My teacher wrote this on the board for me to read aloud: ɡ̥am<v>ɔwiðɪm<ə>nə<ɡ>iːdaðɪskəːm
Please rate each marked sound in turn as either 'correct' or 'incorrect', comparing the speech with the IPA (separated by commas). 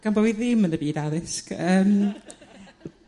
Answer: incorrect, correct, incorrect